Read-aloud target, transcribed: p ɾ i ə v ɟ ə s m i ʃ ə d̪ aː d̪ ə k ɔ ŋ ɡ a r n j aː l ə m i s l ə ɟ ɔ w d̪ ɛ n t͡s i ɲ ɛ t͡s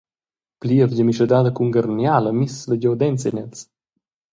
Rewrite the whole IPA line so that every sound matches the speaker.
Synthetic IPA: p l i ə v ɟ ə m i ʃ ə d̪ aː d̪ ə k u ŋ ɡ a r n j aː l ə m i s l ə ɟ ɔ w d̪ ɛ n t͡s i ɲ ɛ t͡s